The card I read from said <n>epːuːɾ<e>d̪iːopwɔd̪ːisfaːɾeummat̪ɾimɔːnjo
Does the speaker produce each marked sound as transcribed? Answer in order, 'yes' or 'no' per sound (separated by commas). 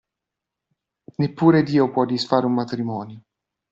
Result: yes, yes